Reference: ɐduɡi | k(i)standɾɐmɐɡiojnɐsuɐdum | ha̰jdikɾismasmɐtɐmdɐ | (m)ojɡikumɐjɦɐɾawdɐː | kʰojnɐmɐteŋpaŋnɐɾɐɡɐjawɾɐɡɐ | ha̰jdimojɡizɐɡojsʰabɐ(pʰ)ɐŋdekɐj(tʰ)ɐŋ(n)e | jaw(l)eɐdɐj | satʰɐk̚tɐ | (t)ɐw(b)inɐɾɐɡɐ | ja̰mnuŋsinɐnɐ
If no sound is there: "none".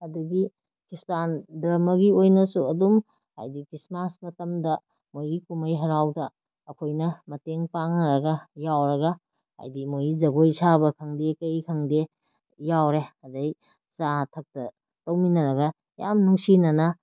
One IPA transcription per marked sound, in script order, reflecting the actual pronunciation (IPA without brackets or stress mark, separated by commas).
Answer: i, m, kʰ, kʰ, d, ɾ, t, m